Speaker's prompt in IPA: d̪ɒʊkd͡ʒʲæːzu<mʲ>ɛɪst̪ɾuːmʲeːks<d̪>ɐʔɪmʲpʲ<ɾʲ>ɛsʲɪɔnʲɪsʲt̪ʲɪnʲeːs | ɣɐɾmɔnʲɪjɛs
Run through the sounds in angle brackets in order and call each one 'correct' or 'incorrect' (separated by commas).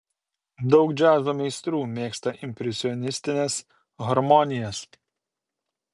correct, incorrect, correct